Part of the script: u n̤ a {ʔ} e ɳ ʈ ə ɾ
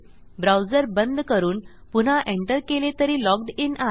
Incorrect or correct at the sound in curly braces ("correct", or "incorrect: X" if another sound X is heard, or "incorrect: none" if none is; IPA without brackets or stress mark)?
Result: correct